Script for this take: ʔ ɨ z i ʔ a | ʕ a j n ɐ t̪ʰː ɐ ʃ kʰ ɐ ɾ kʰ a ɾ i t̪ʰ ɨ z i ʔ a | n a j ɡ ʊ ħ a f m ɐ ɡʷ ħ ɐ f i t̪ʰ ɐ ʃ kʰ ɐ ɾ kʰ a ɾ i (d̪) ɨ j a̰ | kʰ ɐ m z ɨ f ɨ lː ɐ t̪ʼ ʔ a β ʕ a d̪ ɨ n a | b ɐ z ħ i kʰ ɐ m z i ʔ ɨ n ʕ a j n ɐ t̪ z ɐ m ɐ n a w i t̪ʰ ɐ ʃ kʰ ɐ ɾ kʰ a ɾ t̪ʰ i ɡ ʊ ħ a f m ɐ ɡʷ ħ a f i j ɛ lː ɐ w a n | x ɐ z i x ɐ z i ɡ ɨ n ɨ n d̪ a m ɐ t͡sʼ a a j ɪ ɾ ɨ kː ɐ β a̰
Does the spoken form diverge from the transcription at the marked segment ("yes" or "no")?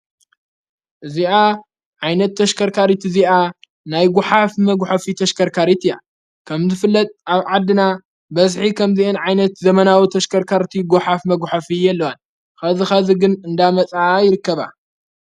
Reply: yes